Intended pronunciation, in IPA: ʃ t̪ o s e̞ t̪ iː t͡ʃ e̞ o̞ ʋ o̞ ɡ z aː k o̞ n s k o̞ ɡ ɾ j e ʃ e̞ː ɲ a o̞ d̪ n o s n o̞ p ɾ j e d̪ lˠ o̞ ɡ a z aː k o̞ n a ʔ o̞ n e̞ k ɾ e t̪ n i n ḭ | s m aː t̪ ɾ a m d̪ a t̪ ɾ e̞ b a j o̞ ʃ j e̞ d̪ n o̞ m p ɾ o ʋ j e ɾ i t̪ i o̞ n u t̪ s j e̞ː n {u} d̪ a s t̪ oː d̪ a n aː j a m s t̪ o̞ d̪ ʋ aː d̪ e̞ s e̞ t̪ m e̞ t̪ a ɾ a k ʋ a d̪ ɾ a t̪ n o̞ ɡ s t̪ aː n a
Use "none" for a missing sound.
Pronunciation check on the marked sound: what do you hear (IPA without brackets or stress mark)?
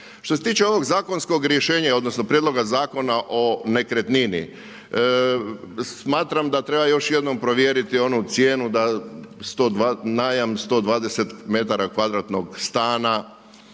u